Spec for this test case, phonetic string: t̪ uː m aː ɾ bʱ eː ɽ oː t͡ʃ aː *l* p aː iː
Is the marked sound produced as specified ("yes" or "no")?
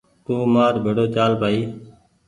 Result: yes